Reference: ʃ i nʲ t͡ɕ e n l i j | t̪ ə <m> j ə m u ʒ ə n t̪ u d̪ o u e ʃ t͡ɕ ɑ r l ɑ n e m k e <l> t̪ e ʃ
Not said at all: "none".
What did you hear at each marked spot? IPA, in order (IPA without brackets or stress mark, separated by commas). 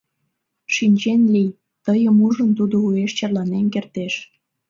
none, r